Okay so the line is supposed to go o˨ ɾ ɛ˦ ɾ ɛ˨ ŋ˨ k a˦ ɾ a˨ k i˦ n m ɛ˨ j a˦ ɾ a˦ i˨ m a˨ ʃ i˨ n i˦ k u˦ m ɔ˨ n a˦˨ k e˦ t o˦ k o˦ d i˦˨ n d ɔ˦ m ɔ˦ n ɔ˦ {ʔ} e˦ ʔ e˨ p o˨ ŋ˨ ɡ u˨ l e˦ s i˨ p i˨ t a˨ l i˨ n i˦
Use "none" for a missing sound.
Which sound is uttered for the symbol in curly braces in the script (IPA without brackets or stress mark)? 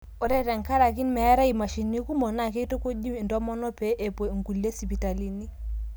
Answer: p